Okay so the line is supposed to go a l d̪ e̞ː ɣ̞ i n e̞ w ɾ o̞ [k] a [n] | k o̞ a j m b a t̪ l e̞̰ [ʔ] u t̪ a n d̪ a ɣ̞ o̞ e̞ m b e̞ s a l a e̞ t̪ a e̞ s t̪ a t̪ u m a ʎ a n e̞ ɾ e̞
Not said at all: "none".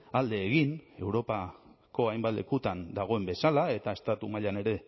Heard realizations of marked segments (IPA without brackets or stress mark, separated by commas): p, none, k